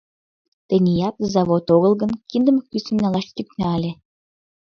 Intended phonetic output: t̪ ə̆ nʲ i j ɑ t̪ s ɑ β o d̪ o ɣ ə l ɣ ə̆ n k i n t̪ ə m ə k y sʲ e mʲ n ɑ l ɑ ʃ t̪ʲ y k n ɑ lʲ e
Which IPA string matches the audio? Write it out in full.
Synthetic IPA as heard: t̪ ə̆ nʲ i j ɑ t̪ z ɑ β o t̪ o ɣ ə l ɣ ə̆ n k i n d̪ ə m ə k y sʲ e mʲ n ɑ l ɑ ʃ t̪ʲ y k n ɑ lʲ e